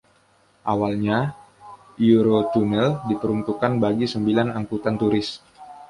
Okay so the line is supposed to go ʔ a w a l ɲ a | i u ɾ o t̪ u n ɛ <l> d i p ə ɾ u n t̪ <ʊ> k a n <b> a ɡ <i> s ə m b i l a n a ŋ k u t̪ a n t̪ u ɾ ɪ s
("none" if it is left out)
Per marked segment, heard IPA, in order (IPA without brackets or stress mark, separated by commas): l, u, b, i